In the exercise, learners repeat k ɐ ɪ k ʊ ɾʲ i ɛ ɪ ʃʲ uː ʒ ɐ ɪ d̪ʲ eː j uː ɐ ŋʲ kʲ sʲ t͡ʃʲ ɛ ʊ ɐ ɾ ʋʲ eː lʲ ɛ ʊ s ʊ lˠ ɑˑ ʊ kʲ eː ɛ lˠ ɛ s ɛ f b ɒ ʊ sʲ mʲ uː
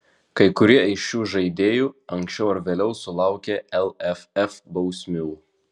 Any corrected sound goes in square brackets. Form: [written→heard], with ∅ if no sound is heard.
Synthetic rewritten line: k ɐ ɪ k ʊ ɾʲ i ɛ ɪ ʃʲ uː ʒ ɐ ɪ d̪ʲ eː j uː ɐ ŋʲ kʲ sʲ t͡ʃʲ ɛ ʊ ɐ ɾ ʋʲ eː lʲ ɛ ʊ s ʊ lˠ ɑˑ ʊ kʲ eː ɛ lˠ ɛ [s→f] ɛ f b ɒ ʊ sʲ mʲ uː